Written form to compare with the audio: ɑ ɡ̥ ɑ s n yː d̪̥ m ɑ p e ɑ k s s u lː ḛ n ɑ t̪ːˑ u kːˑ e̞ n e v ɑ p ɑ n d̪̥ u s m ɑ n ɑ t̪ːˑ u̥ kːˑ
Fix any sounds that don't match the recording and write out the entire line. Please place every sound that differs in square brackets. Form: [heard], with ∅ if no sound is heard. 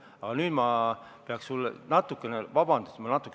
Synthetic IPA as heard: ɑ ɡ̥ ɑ [∅] n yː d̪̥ m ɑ p e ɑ k s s u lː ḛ n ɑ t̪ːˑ u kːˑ e̞ n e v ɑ [b] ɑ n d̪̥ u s m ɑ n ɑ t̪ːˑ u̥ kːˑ